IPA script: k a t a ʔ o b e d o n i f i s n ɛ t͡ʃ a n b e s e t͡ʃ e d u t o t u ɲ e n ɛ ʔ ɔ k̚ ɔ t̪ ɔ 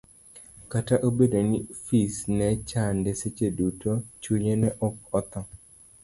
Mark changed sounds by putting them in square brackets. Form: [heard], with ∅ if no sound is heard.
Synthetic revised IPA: k a t a ʔ o b e d o n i f i s n ɛ t͡ʃ a n [d] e s e t͡ʃ e d u t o [t͡ʃ] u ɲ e n ɛ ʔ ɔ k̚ ɔ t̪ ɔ